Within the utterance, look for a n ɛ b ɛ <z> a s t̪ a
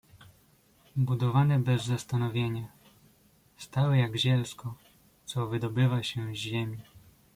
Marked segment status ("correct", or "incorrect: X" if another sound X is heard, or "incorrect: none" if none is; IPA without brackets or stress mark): incorrect: zː